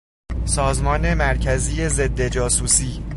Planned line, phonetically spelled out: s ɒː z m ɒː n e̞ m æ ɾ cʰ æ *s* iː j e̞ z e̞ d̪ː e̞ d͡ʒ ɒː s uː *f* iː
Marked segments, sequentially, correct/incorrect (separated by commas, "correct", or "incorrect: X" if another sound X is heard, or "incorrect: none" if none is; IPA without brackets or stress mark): incorrect: z, incorrect: s